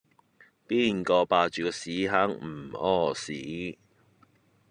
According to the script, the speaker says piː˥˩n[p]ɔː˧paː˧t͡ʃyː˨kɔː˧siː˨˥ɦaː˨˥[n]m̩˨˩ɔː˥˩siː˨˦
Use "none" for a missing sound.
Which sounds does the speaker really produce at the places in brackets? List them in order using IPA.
k, ŋ

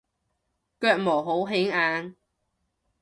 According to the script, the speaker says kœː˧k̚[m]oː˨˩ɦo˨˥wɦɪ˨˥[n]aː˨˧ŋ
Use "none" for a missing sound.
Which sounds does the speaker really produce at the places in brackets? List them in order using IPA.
m, ŋ

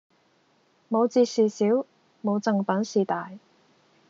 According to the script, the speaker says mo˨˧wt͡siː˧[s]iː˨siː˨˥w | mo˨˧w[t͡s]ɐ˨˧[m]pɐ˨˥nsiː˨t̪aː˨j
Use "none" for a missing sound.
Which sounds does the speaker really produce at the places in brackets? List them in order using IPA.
s, t͡s, ŋ

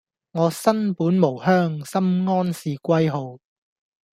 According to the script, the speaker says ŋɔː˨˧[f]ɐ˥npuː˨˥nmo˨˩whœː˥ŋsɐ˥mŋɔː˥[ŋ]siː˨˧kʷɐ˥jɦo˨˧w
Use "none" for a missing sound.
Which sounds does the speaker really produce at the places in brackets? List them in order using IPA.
s, n

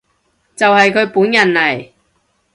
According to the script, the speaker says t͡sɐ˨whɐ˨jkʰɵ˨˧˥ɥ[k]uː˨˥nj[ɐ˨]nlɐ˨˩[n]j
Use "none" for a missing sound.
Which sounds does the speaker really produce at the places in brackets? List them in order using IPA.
p, ɐ˨, none

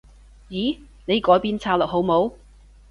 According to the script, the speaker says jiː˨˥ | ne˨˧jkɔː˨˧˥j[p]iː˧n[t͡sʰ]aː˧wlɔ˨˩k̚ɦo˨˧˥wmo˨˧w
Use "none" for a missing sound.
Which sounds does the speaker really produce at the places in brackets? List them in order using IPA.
p, t͡sʰ

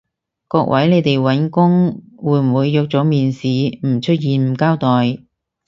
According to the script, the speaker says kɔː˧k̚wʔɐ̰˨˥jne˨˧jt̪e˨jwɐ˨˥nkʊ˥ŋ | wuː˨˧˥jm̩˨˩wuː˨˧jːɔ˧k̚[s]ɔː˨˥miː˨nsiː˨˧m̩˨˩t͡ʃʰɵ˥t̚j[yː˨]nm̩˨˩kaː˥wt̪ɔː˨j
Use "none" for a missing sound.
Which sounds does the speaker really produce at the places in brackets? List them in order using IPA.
t͡s, iː˨

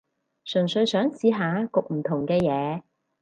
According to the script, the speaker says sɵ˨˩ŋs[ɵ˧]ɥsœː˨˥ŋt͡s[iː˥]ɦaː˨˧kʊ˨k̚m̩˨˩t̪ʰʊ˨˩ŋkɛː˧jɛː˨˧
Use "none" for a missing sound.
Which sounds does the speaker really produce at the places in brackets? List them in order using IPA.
ɵ˧, iː˨˧

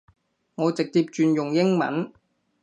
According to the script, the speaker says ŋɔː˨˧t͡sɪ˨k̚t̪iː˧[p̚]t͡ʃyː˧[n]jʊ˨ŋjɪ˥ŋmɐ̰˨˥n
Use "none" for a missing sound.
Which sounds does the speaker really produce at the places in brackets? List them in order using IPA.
p̚, n

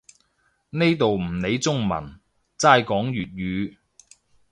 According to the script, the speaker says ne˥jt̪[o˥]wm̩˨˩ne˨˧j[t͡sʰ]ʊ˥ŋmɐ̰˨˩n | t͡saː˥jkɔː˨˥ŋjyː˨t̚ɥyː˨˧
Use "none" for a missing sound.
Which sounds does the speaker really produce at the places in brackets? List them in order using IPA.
o˨, t͡s

